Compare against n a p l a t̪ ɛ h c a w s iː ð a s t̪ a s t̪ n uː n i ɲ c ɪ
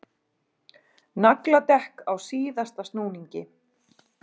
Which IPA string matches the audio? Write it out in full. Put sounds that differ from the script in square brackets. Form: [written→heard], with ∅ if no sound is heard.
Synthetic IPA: n a [p→k] l a t̪ ɛ h [c→k] a w s iː ð a s t̪ a s t̪ n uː n i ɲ c ɪ

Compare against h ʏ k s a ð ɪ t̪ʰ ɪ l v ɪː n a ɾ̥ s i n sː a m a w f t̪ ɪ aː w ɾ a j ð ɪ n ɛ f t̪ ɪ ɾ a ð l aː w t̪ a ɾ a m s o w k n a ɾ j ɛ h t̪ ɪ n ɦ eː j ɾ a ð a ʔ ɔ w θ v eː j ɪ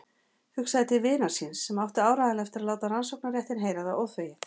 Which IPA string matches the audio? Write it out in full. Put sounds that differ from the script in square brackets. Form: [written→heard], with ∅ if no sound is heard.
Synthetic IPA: h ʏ k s a ð ɪ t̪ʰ ɪ l v ɪː n a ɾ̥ s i n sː [a→ɛ] m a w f t̪ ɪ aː w ɾ a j ð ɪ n ɛ f t̪ ɪ ɾ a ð l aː w t̪ a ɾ a [m→n] s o w k n a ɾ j ɛ h t̪ ɪ n ɦ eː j ɾ a ð a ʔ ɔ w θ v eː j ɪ

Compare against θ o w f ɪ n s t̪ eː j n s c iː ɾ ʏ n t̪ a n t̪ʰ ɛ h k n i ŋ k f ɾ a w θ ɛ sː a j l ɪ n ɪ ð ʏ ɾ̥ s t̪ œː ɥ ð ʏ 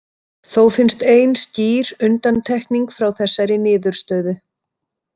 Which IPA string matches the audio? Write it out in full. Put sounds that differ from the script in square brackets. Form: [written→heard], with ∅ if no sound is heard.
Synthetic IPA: θ o w f ɪ n s t̪ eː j n s c iː ɾ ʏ n t̪ a n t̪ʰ ɛ h k n i ŋ k f ɾ a w θ ɛ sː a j [l→ɾ] ɪ n [ɪ→ɪː] ð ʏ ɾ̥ s t̪ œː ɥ ð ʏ

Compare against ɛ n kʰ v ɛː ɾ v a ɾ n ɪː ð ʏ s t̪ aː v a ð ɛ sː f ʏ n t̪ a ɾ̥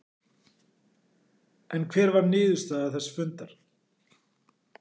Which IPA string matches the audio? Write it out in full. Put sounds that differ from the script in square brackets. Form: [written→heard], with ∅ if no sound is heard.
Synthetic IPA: ɛ n kʰ v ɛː ɾ v a ɾ n ɪː ð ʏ s t̪ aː [v→ð] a [ð→θ] ɛ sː f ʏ n t̪ a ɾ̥

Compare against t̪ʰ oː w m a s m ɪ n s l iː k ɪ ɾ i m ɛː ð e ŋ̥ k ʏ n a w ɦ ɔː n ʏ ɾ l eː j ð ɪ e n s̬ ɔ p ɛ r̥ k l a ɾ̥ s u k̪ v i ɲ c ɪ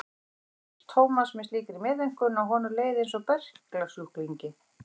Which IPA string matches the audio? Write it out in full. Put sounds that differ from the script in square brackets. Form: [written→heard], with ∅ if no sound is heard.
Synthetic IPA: t̪ʰ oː w m a s m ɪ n s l iː k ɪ ɾ i m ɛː ð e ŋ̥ k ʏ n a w ɦ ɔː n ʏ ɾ l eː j ð ɪ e n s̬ ɔ p ɛ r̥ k l a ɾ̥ s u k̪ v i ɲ c ɪ

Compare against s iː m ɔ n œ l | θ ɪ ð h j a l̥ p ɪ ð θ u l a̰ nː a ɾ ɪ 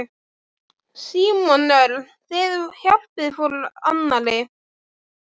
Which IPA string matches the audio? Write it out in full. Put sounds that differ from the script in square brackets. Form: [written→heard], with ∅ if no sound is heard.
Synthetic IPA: s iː m ɔ n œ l | θ ɪ ð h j a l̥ p ɪ ð [θ→f] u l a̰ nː a [ɾ→l] ɪ

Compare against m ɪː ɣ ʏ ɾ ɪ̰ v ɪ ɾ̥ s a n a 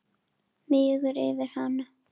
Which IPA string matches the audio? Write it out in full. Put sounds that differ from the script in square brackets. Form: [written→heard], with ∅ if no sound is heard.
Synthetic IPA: m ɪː ɣ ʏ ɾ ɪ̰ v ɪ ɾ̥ [s→h] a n a

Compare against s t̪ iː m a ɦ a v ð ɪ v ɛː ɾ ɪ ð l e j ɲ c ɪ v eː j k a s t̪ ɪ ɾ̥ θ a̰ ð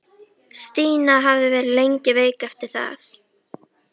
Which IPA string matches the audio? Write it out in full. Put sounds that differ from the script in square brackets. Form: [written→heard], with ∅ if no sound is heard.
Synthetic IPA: s t̪ iː [m→n] a ɦ a v ð ɪ v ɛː ɾ ɪ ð l e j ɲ c ɪ v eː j k a [s→f] t̪ ɪ ɾ̥ θ a̰ [ð→θ]

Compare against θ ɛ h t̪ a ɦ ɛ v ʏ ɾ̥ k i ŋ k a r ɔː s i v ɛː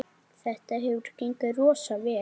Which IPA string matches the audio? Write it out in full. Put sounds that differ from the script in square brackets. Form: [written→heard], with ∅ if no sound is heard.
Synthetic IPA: θ ɛ h t̪ a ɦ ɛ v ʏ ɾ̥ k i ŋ k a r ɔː s [i→a] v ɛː

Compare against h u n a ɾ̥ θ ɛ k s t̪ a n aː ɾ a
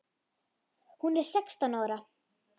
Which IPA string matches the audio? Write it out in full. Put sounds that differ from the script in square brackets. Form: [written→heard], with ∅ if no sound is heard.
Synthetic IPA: h u n [a→ɛ] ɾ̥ [θ→s] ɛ k s t̪ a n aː ɾ a

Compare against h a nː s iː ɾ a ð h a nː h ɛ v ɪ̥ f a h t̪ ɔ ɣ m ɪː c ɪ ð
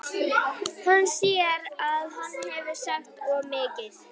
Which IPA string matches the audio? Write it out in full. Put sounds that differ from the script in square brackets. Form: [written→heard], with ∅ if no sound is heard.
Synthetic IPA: h a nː s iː ɾ a ð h a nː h ɛ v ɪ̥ [f→s] a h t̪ ɔ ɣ m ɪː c ɪ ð

